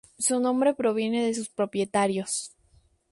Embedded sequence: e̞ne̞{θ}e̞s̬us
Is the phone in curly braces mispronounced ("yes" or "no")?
yes